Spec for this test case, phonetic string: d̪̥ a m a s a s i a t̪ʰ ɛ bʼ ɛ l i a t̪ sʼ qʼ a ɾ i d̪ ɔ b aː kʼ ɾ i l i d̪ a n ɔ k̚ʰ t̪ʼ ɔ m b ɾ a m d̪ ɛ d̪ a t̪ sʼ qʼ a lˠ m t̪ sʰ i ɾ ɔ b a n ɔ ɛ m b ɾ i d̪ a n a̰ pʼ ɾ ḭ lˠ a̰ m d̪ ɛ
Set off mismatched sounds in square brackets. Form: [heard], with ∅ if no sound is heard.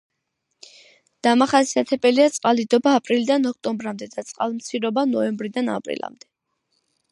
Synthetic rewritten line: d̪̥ a m a [χ] a s i a t̪ʰ ɛ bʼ ɛ l i a t̪ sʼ qʼ a [l] i d̪ ɔ b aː [pʼ] ɾ i l i d̪ a n ɔ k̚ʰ t̪ʼ ɔ m b ɾ a m d̪ ɛ d̪ a t̪ sʼ qʼ a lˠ m t̪ sʰ i ɾ ɔ b a n ɔ ɛ m b ɾ i d̪ a n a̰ pʼ ɾ ḭ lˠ a̰ m d̪ ɛ

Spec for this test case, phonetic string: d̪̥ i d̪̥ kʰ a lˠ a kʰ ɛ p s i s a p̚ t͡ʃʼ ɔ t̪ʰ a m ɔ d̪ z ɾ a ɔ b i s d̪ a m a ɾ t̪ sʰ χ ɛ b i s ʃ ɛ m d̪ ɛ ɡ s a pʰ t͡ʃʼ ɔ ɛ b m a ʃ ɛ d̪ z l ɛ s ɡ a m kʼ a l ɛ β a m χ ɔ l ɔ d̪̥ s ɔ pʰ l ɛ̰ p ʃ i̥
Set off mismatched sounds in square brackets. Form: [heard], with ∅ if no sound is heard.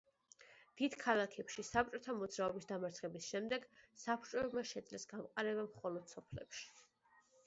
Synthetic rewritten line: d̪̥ i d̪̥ kʰ a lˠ a kʰ ɛ p [ʃ] i s a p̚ t͡ʃʼ ɔ t̪ʰ a m ɔ d̪ z ɾ a ɔ b i s d̪ a m a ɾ t̪ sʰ χ ɛ b i s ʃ ɛ m d̪ ɛ ɡ s a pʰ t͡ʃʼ ɔ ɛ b m a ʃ ɛ d̪ z l ɛ s ɡ a m [qʼ] a [ɾ] ɛ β a m χ ɔ l ɔ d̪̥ s ɔ pʰ l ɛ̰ p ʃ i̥

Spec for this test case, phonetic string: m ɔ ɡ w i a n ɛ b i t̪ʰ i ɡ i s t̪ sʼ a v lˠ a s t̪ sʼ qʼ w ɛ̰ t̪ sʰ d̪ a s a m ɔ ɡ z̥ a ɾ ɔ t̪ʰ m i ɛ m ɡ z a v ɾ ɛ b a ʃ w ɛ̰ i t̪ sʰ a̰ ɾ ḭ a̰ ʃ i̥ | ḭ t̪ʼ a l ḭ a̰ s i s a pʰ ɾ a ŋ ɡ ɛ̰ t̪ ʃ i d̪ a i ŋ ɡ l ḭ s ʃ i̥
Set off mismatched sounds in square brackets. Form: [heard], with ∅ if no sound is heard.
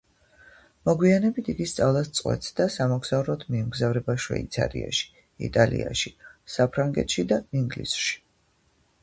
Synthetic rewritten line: m ɔ ɡ w i a n ɛ b i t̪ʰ i ɡ i s t̪ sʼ a v lˠ a s t̪ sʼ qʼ w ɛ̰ t̪ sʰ d̪ a s a m ɔ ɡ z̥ a ɾ ɔ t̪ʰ m i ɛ m ɡ z a v ɾ ɛ b a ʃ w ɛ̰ i t̪ sʰ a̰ ɾ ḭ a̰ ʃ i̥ | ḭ t̪ʼ a l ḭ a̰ [ʃ] i s a pʰ ɾ a ŋ ɡ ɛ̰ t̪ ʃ i d̪ a i ŋ ɡ l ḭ s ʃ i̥

